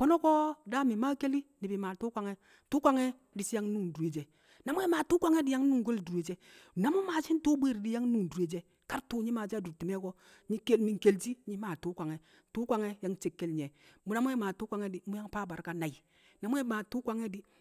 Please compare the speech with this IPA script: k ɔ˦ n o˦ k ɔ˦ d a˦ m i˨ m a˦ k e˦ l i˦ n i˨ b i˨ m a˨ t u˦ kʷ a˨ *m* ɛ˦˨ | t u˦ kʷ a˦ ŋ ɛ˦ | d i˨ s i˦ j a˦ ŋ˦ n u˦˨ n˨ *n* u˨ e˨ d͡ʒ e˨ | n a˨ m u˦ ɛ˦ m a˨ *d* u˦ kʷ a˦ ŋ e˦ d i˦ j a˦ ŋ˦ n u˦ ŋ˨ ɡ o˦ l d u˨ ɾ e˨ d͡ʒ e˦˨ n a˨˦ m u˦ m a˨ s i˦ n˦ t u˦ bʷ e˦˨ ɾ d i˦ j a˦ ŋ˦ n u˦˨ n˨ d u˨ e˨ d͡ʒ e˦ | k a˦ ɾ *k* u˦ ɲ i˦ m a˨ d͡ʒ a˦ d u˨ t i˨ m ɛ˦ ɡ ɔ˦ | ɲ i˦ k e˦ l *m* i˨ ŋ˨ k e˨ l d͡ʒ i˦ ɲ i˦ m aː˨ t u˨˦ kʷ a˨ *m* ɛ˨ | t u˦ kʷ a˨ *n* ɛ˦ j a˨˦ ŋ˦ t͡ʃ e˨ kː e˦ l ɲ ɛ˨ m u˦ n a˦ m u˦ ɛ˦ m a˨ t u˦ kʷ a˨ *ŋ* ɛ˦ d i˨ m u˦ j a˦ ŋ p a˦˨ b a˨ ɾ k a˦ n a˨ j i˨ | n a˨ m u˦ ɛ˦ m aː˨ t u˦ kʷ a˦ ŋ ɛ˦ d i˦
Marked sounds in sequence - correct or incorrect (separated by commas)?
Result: incorrect, incorrect, incorrect, incorrect, correct, incorrect, incorrect, correct